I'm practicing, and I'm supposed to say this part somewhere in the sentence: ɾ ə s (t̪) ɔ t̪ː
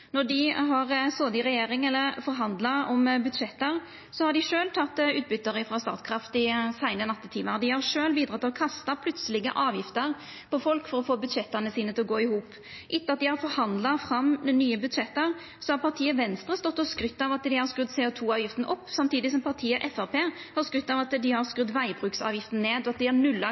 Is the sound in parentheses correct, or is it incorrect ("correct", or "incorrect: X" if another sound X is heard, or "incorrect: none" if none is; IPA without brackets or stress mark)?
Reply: correct